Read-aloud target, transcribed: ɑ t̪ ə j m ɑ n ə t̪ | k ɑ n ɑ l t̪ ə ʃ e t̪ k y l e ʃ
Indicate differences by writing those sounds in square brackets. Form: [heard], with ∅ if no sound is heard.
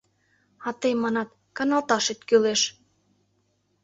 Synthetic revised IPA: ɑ t̪ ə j m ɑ n [ɑ] t̪ | k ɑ n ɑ l t̪ [ɑ] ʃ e t̪ k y l e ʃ